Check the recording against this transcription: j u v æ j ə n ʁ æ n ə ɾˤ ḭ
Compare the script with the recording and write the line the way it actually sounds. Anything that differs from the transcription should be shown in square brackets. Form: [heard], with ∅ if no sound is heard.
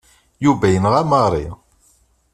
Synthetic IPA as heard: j u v æ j ə n ʁ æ [m] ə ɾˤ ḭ